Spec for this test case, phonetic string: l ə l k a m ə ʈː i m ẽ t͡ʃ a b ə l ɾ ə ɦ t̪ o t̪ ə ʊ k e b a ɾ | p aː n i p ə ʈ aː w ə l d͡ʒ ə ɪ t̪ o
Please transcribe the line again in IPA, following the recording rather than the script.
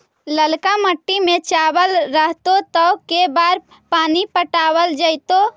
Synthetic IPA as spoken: l ə l k a m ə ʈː i m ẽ t͡ʃ a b ə l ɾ ə ɦ t̪ o t̪ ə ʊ k e b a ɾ | p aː n i p ə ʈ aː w ə l d͡ʒ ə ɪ t̪ o